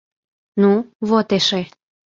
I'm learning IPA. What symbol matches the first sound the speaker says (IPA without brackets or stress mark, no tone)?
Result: n